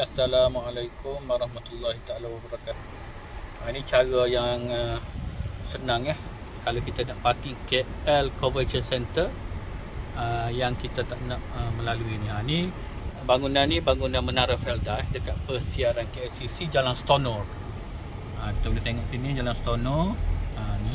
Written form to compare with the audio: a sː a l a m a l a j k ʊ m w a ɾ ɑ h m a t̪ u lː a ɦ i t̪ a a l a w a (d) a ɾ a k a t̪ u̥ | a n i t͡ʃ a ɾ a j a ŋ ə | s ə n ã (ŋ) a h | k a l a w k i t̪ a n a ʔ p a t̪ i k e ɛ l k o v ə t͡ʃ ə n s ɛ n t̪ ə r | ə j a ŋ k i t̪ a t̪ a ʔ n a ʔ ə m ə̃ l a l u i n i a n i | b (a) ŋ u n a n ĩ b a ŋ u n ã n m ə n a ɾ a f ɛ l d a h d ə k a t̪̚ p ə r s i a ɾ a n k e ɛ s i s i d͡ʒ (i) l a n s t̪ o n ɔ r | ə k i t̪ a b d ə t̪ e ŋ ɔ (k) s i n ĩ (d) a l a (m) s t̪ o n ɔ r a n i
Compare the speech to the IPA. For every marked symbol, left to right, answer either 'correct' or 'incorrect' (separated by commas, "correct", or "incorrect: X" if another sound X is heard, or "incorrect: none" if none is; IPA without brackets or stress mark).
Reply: incorrect: b, correct, correct, incorrect: a, incorrect: ʔ, incorrect: d͡ʒ, incorrect: n